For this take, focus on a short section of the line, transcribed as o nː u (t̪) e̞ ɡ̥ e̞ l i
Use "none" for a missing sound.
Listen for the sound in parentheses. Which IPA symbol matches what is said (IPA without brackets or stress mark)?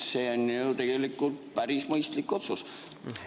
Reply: t̪